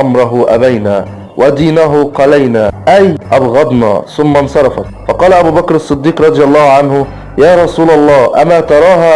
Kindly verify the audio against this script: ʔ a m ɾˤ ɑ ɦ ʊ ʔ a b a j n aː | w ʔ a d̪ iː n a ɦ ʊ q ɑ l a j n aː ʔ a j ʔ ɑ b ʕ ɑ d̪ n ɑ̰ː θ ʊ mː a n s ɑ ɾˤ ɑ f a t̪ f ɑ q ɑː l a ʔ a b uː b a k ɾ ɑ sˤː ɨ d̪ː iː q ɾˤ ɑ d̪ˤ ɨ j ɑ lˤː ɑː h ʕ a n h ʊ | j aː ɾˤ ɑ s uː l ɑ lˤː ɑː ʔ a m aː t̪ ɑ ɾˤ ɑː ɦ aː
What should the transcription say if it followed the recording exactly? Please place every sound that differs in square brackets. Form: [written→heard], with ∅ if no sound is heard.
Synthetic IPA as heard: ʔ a m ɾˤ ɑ ɦ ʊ ʔ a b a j n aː | w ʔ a d̪ iː n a ɦ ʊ q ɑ l a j n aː ʔ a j ʔ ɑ b [ʕ→ɣ] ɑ d̪ n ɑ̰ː θ ʊ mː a n s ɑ ɾˤ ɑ f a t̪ f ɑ q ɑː l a ʔ a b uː b a k ɾ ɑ sˤː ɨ d̪ː iː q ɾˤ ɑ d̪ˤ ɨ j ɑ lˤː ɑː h ʕ a n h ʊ | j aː ɾˤ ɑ s uː l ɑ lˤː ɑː ʔ a m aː t̪ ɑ ɾˤ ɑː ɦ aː